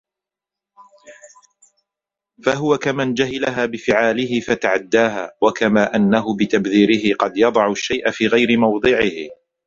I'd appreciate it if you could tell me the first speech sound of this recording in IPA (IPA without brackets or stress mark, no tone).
f